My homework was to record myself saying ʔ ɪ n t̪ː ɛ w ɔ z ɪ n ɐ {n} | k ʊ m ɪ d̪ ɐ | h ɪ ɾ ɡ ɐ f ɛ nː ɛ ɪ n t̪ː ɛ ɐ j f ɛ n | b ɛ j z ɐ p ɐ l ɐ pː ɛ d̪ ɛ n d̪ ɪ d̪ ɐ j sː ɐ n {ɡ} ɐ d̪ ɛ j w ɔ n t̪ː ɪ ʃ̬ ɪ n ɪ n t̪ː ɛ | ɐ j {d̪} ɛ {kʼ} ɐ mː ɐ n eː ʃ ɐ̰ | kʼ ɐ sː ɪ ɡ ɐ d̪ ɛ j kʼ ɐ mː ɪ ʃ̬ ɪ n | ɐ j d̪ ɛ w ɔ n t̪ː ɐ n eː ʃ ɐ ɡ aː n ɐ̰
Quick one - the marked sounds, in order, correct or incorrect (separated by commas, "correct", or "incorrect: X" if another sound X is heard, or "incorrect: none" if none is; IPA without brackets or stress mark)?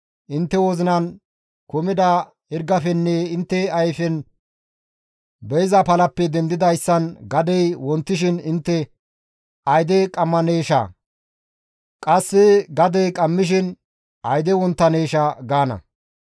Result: correct, correct, correct, correct